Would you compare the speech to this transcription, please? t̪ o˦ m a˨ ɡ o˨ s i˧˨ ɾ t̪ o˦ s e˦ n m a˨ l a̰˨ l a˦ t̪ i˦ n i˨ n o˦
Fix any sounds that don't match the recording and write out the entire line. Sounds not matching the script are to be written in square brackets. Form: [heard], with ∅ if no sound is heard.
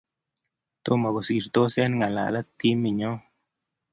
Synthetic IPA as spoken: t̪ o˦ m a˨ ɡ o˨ s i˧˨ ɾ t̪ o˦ s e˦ n [ŋ] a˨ l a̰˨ l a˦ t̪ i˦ [m] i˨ [ɲ] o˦